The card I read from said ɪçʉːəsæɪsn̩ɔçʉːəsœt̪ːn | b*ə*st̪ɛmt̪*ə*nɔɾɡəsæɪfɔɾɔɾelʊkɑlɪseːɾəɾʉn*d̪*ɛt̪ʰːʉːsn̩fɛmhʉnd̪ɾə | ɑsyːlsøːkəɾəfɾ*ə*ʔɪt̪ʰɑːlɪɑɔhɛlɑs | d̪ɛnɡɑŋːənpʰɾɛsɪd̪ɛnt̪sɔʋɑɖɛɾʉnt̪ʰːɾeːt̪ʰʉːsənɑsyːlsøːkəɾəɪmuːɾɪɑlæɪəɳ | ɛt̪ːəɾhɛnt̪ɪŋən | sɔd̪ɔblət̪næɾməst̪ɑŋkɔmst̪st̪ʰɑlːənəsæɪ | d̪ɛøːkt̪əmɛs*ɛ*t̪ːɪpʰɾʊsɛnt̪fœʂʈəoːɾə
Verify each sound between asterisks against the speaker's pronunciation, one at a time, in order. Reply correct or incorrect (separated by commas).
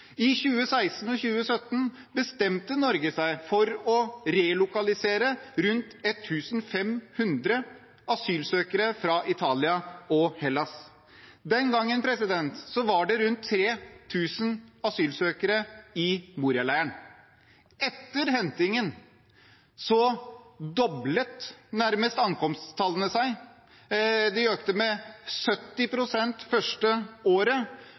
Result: correct, correct, incorrect, incorrect, incorrect